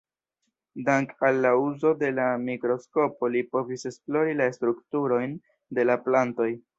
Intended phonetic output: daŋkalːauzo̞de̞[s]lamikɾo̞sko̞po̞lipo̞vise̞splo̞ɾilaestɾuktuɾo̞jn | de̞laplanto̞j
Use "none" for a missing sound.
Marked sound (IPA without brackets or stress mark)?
none